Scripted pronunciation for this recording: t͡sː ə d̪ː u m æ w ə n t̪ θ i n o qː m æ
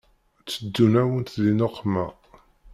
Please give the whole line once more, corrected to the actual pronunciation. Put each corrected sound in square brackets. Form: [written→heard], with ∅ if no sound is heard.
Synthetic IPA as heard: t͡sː ə d̪ː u [m→n] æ w ə n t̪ [θ→ð] i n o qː m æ